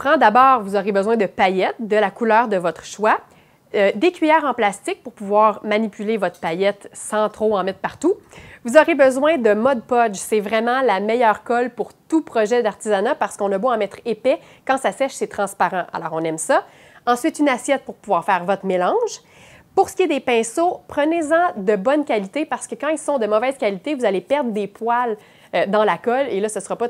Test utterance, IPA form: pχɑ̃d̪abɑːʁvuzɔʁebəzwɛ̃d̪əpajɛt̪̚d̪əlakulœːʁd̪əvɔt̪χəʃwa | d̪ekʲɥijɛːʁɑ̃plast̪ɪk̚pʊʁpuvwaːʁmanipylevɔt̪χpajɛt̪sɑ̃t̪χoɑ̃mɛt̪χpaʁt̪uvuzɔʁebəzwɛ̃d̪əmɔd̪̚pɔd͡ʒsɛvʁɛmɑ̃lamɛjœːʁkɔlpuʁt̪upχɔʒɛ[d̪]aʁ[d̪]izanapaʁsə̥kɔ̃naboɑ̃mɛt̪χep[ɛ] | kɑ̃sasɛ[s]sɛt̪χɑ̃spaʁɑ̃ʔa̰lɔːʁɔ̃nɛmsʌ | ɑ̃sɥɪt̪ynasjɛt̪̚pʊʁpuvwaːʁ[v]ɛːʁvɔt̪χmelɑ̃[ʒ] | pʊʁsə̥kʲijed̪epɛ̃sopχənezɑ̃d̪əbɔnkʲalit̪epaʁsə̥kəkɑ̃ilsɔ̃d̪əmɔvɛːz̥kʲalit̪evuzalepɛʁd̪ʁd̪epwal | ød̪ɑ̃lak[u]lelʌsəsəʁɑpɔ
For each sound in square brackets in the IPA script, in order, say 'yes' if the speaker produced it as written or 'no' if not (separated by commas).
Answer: yes, no, yes, no, no, yes, no